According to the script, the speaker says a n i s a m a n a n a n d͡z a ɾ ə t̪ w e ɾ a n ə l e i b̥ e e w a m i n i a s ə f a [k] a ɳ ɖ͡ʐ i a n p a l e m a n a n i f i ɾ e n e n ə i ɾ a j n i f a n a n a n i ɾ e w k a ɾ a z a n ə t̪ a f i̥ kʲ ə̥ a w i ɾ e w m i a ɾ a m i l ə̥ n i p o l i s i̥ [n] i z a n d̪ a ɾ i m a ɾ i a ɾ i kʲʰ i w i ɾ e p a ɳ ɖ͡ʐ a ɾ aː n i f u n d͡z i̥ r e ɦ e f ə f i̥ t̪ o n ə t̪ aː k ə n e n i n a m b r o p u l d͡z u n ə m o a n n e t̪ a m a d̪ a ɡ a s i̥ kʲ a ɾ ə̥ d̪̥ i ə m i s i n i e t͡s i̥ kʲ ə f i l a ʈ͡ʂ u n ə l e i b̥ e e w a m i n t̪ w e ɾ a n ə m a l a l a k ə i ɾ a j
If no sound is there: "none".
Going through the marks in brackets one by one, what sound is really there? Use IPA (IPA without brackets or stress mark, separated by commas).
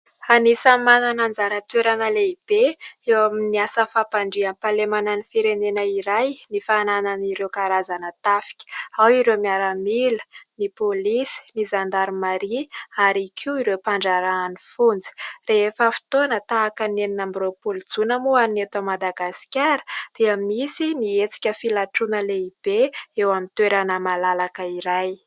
p, n